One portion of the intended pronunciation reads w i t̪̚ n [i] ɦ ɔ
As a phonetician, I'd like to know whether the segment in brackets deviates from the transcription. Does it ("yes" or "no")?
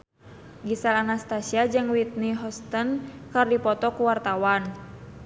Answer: no